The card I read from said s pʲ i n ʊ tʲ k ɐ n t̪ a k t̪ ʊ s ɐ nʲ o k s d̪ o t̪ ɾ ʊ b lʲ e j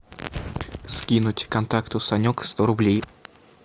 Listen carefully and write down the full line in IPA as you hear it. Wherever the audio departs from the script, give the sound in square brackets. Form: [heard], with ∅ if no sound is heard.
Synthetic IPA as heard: s [kʲ] i n ʊ tʲ k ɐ n t̪ a k t̪ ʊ s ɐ nʲ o k s [t̪] o [∅] ɾ ʊ b lʲ e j